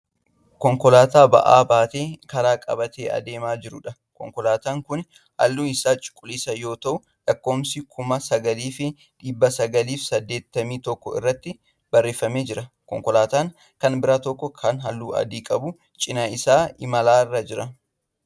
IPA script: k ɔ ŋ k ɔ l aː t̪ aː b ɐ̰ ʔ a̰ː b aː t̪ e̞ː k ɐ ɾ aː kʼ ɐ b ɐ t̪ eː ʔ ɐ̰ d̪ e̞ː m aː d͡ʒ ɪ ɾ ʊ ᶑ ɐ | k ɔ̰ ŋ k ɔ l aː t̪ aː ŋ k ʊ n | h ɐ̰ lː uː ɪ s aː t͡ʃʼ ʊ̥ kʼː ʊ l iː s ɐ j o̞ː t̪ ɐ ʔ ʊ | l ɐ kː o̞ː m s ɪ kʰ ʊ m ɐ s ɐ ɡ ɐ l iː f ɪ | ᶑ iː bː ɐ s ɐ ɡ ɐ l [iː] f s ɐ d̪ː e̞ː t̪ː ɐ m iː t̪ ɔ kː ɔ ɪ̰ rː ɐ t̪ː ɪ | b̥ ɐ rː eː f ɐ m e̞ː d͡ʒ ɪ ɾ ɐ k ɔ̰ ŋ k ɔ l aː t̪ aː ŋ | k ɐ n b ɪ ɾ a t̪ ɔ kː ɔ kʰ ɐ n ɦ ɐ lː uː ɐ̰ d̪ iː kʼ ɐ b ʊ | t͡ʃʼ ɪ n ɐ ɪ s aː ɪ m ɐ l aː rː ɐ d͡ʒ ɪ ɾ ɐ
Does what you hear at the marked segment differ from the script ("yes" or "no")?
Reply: no